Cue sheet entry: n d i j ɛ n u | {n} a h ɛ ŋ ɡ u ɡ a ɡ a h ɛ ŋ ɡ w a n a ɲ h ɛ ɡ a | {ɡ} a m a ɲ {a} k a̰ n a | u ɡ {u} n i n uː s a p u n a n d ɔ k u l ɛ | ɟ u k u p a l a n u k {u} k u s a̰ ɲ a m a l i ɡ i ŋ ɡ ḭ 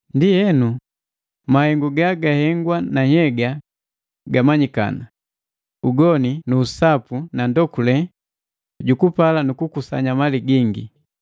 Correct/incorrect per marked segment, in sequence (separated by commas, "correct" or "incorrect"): incorrect, correct, incorrect, incorrect, correct